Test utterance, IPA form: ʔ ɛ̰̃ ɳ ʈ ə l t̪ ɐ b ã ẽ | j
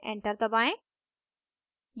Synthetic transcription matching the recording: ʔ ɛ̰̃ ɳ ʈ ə ɾ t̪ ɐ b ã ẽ | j